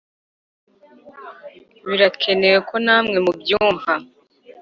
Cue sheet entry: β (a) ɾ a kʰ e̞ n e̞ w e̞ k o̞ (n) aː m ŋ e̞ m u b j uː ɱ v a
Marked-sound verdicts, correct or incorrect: incorrect: i, correct

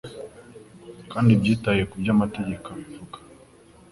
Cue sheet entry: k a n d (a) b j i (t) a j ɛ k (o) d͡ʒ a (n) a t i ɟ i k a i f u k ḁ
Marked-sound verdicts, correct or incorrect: incorrect: i, correct, incorrect: u, incorrect: m

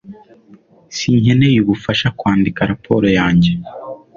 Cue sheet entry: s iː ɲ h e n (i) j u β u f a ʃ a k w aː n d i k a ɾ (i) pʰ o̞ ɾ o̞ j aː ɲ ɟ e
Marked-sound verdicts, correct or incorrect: incorrect: e, incorrect: a

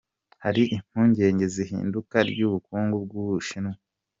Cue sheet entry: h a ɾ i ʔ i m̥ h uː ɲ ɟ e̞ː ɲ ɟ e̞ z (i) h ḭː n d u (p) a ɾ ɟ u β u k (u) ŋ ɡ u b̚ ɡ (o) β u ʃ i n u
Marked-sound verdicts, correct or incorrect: correct, incorrect: k, incorrect: uː, incorrect: u

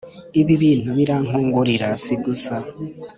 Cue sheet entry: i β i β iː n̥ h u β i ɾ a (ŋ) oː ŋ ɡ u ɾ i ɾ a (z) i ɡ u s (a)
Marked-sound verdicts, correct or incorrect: correct, incorrect: s, correct

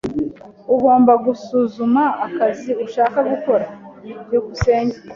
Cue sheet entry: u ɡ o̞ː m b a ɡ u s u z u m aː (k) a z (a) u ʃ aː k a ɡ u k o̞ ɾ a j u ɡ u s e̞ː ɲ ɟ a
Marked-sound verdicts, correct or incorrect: correct, incorrect: i

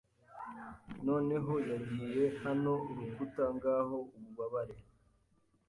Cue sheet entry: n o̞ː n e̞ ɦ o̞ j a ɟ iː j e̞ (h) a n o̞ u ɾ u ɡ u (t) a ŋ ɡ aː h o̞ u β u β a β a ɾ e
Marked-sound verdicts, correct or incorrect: correct, correct

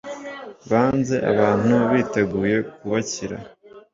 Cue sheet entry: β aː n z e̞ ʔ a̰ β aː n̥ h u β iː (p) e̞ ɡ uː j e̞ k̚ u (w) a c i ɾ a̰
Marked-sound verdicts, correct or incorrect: incorrect: t, incorrect: β

